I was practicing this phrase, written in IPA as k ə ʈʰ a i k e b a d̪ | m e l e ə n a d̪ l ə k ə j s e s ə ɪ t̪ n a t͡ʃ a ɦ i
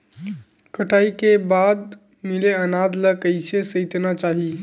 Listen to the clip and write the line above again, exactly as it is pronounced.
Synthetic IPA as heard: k ə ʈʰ a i k e b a d̪ | m i l e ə n a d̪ l ə k ə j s e s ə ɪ t̪ n a t͡ʃ a ɦ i